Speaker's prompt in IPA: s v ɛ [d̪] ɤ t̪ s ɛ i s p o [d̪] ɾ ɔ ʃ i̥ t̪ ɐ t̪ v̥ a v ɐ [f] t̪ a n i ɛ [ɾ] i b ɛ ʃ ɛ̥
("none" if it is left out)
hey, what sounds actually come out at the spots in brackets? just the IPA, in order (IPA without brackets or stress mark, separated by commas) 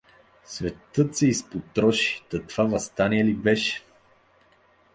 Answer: t̪, t̪, s, l